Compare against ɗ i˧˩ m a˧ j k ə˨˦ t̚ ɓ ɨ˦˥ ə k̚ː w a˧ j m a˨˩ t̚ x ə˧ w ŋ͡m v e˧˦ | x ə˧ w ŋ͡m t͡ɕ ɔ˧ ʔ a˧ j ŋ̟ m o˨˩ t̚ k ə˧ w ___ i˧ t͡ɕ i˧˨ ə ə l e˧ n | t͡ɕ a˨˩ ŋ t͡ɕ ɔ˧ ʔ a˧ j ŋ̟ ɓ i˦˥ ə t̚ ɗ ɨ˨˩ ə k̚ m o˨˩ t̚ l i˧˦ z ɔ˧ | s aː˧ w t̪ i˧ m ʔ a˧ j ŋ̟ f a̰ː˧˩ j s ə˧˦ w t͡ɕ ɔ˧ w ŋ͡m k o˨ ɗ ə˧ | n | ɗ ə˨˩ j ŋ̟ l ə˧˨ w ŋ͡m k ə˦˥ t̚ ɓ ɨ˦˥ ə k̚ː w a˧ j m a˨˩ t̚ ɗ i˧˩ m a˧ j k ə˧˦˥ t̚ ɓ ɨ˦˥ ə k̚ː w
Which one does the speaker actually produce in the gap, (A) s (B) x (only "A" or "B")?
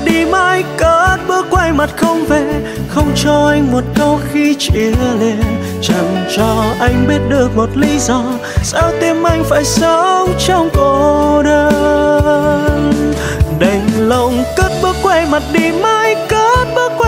B